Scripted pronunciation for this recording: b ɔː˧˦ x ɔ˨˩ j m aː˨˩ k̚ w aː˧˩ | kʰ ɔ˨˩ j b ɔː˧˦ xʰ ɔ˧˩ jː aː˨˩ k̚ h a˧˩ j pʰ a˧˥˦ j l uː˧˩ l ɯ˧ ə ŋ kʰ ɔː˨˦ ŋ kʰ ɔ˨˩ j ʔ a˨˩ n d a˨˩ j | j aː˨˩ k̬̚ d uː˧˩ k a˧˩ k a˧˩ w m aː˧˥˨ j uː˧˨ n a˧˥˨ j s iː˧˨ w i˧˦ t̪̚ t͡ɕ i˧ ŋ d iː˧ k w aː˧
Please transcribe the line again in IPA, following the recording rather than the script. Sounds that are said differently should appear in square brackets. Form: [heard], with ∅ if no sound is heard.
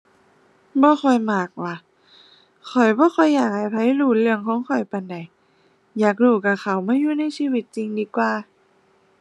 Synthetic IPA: b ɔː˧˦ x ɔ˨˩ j m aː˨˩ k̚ w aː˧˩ | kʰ ɔ˨˩ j b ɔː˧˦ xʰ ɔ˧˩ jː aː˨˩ k̚ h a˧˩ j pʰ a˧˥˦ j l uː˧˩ l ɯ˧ ə ŋ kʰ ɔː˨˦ ŋ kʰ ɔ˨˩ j [p] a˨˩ n d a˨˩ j | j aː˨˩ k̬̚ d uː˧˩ k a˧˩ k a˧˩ w m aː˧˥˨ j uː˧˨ n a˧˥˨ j s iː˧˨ w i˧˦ t̪̚ t͡ɕ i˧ ŋ d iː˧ k w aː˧